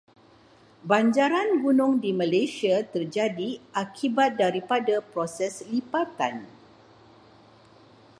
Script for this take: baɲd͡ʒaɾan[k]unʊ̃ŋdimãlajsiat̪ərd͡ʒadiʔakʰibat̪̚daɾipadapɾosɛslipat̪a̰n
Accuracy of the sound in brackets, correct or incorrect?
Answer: incorrect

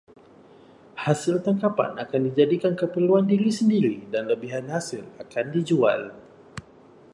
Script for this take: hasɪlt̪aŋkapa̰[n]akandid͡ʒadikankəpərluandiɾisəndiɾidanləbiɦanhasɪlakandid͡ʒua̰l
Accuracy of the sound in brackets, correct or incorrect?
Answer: correct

